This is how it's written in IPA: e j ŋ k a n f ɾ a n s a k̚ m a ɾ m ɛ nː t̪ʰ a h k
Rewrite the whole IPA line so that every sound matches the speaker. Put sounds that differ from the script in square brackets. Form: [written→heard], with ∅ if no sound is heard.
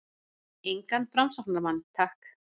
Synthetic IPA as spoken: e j ŋ k a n f ɾ a [n→m] s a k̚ [m→n] a ɾ m [ɛ→a] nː t̪ʰ a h k